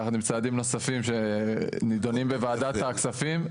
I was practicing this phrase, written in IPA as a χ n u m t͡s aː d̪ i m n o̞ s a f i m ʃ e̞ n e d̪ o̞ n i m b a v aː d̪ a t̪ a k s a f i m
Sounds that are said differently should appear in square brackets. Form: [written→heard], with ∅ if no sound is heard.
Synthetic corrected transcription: a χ n u m t͡s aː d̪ i m n o̞ s a f i m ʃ e̞ n [e→i] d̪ o̞ n i m b [a→e] v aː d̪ a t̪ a k s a f i m